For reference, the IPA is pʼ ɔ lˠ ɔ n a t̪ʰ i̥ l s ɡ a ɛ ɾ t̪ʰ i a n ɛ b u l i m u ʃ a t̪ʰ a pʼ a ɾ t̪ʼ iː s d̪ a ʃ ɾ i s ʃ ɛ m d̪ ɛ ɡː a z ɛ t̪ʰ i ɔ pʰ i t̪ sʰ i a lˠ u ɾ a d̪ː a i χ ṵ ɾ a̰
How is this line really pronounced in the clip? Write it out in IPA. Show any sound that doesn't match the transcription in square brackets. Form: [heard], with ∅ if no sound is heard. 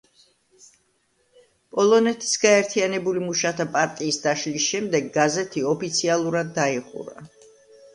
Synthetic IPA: pʼ ɔ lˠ ɔ n [ɛ] t̪ʰ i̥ [∅] s ɡ a ɛ ɾ t̪ʰ i a n ɛ b u l i m u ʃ a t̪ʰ a pʼ a ɾ t̪ʼ iː s d̪ a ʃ [l] i s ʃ ɛ m d̪ ɛ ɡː a z ɛ t̪ʰ i ɔ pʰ i t̪ sʰ i a lˠ u ɾ a d̪ː a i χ ṵ ɾ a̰